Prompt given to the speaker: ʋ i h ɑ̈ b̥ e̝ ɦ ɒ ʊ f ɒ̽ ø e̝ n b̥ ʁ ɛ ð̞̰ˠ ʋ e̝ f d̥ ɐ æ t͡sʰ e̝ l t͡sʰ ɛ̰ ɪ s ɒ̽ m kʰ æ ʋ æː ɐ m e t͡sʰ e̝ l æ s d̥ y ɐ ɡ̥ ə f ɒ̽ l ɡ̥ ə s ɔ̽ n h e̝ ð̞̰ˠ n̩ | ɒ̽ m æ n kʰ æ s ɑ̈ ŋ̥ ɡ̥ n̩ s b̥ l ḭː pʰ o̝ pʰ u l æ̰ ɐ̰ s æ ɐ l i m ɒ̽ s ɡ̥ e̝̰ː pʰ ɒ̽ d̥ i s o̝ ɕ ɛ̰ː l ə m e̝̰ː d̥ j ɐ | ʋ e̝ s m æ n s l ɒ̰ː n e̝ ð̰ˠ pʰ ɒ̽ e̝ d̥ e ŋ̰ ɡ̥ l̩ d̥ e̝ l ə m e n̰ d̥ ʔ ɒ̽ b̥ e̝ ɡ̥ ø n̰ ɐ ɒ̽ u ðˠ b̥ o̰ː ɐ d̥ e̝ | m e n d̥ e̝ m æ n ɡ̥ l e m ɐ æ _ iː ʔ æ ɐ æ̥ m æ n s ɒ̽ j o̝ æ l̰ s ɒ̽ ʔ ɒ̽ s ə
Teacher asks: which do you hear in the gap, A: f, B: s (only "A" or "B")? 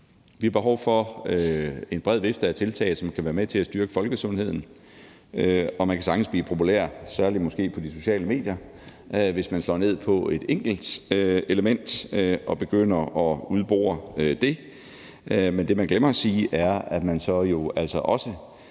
B